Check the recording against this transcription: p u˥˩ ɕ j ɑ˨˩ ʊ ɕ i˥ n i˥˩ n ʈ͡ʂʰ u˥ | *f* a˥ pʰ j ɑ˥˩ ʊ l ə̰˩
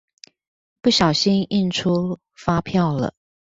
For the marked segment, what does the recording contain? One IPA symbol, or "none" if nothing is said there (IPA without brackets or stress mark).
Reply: f